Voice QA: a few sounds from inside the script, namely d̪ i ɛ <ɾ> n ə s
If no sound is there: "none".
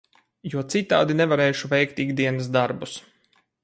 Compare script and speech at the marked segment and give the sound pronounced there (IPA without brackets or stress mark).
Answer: none